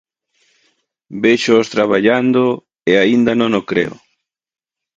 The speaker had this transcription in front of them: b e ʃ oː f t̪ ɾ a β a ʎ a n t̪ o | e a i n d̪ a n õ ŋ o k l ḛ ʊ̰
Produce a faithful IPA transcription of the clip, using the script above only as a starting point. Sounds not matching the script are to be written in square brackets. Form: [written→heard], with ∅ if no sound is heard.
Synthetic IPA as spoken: b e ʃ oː [f→s] t̪ ɾ a β a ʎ a n [t̪→d̪] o | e a i n d̪ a n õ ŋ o k [l→ɾ] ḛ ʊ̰